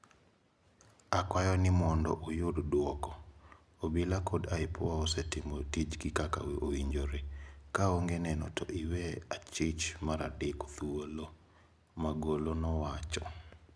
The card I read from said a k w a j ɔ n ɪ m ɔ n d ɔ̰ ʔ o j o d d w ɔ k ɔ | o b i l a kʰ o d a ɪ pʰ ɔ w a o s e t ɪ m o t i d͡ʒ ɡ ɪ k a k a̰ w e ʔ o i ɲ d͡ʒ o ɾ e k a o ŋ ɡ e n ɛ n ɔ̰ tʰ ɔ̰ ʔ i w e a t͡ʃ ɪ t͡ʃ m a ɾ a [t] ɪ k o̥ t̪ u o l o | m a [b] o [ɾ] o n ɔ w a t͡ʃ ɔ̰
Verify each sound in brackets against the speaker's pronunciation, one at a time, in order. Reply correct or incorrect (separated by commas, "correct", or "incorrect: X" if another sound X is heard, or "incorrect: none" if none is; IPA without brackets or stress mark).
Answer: incorrect: d, incorrect: ɡ, incorrect: l